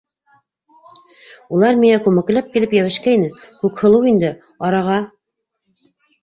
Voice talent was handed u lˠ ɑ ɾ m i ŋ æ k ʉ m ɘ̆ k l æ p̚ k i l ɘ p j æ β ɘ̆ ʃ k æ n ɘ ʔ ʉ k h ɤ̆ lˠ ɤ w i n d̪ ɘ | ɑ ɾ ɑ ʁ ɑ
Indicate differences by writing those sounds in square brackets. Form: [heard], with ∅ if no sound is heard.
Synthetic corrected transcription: u lˠ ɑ ɾ m i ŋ æ k ʉ m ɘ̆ k l æ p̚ k i l ɘ p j æ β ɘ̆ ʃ k æ n ɘ [k] ʉ k h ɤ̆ lˠ ɤ w i n d̪ ɘ | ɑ ɾ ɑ ʁ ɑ